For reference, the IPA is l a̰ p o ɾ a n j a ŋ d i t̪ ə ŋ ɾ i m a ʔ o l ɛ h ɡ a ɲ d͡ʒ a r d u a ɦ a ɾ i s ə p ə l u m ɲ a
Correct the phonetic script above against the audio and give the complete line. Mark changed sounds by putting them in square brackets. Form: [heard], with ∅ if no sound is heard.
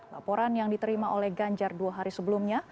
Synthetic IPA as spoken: l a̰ p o ɾ a n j a ŋ d i t̪ ə [∅] ɾ i m a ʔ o l ɛ h ɡ a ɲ d͡ʒ a r d u a ɦ a ɾ i s ə [b] ə l u m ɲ a

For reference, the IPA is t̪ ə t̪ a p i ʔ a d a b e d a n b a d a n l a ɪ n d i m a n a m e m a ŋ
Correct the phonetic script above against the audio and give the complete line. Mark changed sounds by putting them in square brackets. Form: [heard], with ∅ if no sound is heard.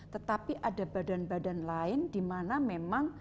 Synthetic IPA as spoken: t̪ ə t̪ a p i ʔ a d a b [a] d a n b a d a n l a ɪ n d i m a n a m e m a ŋ

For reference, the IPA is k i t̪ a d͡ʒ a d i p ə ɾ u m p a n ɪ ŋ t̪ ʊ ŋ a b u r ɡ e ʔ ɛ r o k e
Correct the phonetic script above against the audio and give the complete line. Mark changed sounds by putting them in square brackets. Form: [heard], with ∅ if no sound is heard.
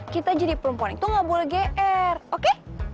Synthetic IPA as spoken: k i t̪ a d͡ʒ a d i p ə ɾ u m p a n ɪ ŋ t̪ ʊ ŋ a b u [l] ɡ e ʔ ɛ r o k e

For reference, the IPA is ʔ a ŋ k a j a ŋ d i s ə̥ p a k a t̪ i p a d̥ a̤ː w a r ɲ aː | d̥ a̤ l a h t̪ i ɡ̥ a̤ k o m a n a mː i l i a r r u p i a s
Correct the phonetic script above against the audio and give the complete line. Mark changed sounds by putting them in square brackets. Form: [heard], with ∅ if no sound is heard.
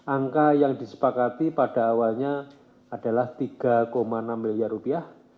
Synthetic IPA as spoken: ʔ a ŋ k a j a ŋ d i s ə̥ p a k a t̪ i p a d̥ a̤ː w a [l] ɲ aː | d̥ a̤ l a h t̪ i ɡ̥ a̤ k o m a n a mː i l i a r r u p i a [h]

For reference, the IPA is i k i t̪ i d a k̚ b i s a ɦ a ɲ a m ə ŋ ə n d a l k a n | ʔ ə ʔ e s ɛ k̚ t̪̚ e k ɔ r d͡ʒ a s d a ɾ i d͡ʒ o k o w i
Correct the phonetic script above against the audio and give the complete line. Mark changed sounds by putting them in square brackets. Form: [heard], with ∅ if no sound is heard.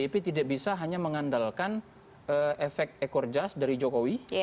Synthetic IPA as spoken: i [p] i t̪ i d a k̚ b i s a ɦ a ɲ a m ə ŋ [a] n d a l k a n | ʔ ə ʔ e [f] ɛ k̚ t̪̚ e k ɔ r d͡ʒ a s d a ɾ i d͡ʒ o k o w i

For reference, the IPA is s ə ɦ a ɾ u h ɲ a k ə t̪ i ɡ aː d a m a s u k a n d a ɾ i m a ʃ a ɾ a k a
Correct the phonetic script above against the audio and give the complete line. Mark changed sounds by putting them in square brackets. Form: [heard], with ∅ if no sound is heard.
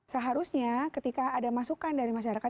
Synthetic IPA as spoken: s ə ɦ a ɾ u [s] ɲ a k ə t̪ i [k] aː d a m a s u k a n d a ɾ i m a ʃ a ɾ a k a

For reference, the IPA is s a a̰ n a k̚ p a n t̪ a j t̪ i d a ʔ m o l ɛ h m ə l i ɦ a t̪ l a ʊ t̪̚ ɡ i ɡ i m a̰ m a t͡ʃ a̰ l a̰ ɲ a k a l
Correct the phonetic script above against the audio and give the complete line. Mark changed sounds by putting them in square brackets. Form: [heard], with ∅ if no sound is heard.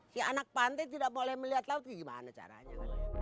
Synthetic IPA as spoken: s [i] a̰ n a k̚ p a n t̪ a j t̪ i d a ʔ m o l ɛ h m ə l i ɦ a t̪ l a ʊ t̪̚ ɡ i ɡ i m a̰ [n] a t͡ʃ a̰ [ɾ] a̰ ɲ a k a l

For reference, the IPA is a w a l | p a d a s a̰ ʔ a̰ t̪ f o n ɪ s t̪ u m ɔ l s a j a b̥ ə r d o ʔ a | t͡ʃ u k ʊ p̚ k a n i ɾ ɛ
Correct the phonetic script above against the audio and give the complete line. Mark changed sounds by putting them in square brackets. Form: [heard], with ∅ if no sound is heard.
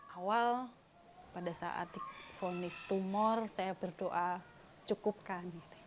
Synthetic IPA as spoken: a w a l | p a d a s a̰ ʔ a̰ t̪ f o n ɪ s t̪ u m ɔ [r] s a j a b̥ ə r d o ʔ a | t͡ʃ u k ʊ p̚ k a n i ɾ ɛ

